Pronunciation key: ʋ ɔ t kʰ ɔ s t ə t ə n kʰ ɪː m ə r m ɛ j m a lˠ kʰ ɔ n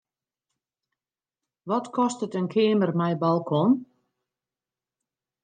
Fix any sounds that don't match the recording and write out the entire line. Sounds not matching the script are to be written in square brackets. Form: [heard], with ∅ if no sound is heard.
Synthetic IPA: ʋ ɔ t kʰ ɔ s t ə t ə n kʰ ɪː m ə r m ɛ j [b] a lˠ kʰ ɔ n

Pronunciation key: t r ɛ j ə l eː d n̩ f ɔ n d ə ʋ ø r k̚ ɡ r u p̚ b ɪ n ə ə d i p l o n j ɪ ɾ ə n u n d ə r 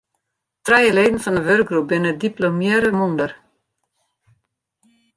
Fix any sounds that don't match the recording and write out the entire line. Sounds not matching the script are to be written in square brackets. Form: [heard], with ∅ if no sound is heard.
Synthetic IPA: t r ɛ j ə l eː d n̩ f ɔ n d ə ʋ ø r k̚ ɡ r u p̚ b ɪ n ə ə d i p l o [m] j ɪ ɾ ə [m] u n d ə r

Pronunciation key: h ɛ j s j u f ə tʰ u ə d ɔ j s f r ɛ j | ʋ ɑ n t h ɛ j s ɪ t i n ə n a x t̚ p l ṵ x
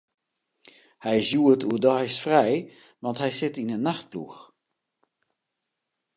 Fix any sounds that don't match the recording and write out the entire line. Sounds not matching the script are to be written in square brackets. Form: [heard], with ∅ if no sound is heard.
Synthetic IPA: h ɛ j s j u [∅] ə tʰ u ə d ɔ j s f r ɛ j | ʋ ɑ n t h ɛ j s ɪ t i n ə n a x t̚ p l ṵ x

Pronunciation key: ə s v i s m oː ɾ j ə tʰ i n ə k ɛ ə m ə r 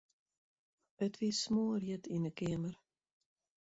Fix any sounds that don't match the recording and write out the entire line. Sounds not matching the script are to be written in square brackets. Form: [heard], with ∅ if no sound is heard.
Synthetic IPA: ə [t] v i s m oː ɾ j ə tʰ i n ə k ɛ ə m ə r

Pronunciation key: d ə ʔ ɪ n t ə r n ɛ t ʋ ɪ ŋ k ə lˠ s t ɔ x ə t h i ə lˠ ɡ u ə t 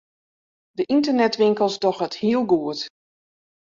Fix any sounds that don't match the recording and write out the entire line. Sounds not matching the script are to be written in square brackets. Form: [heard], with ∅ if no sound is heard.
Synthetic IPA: d ə ʔ [i] n t ə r n ɛ t ʋ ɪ ŋ k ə lˠ s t ɔ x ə t h i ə lˠ ɡ u ə t

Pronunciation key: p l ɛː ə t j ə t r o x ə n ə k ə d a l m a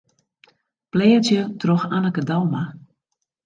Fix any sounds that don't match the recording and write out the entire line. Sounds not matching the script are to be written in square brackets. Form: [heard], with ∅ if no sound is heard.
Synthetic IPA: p l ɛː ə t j ə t r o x [a] n ə k ə d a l m a

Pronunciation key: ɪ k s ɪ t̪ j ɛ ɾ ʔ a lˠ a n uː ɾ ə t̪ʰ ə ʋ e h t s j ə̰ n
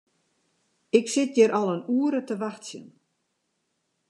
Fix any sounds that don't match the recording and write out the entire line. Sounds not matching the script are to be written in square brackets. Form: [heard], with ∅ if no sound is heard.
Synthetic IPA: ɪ k s ɪ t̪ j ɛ ɾ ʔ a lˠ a n uː ɾ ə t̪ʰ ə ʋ [a] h t s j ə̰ n

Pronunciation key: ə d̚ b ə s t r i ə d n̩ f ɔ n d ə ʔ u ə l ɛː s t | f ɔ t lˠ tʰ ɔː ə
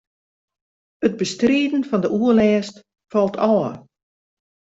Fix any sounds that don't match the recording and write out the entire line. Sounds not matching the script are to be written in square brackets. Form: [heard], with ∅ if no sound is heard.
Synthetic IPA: ə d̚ b ə s t r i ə d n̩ f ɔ n d ə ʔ u ə l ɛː s t | f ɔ [∅] lˠ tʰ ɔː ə

